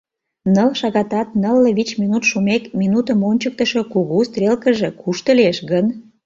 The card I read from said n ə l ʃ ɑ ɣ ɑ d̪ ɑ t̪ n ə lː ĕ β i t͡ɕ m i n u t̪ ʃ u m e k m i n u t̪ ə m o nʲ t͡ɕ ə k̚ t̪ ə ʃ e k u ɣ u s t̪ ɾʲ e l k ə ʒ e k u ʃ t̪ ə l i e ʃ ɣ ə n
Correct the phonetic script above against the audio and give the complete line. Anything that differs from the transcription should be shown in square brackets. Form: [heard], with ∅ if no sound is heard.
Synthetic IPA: n ə l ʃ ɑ ɣ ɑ [t̪] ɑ t̪ n ə lː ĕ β i t͡ɕ m i n u t̪ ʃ u m e k m i n u t̪ ə m o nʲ t͡ɕ ə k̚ t̪ ə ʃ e k u ɣ u s t̪ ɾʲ e l k ə ʒ e k u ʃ t̪ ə l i e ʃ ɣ ə n